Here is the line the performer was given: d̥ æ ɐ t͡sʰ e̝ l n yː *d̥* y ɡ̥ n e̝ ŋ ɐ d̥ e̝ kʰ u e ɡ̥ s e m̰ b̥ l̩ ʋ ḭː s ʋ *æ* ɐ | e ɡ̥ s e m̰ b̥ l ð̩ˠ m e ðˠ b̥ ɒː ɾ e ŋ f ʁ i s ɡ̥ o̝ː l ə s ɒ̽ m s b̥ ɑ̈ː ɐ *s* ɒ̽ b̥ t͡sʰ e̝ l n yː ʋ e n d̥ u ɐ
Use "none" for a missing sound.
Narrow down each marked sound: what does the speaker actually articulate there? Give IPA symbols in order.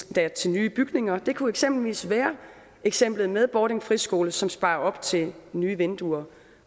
b̥, æː, none

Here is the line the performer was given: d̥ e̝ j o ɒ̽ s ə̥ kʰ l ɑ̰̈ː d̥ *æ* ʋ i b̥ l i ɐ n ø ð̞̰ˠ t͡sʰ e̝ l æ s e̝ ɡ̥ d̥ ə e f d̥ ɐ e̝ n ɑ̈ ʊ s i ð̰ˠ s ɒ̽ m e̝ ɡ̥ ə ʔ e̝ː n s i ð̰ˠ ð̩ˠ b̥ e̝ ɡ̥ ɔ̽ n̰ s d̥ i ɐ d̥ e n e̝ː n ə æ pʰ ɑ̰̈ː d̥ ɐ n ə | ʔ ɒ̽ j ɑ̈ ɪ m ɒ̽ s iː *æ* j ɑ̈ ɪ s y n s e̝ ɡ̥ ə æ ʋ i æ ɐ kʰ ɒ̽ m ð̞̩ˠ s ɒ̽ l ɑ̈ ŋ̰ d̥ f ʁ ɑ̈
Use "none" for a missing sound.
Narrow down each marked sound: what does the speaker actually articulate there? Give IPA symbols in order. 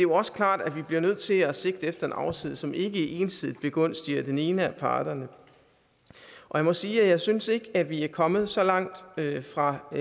æ, æ

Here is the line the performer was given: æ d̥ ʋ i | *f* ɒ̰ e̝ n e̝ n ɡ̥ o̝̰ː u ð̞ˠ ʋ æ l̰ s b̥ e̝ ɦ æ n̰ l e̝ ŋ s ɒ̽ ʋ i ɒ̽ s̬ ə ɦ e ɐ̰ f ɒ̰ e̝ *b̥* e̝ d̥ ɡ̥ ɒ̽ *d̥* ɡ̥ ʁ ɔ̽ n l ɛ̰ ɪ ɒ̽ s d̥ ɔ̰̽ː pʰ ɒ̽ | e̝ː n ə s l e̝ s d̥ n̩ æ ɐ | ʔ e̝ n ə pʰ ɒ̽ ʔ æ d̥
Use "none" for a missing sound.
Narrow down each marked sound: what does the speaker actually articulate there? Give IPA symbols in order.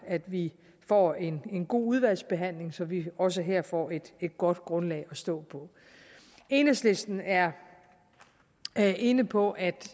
f, d̥, d̥

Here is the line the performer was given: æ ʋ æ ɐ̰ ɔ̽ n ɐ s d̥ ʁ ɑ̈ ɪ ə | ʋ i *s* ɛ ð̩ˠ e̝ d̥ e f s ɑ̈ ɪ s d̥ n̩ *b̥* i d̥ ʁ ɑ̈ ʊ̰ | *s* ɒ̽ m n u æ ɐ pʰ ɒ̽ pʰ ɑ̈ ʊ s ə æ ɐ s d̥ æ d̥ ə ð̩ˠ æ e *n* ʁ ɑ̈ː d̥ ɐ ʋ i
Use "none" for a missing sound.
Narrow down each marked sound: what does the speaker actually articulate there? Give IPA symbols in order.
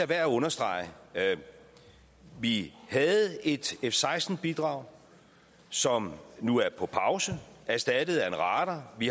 h, b̥, s, n

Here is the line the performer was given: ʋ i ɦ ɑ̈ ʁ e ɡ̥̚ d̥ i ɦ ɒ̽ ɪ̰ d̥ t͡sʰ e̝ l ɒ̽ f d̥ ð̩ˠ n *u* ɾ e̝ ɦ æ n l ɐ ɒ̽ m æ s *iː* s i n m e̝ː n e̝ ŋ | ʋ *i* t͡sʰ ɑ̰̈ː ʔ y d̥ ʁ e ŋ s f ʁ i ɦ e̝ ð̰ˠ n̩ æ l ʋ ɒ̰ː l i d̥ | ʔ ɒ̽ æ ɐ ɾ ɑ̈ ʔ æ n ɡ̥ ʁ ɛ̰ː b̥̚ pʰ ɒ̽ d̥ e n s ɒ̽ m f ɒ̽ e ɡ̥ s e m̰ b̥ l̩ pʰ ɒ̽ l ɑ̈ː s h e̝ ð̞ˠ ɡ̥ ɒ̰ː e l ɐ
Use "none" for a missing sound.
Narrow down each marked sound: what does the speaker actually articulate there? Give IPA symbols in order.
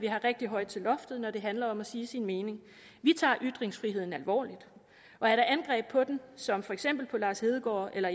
ɒ, iː, i

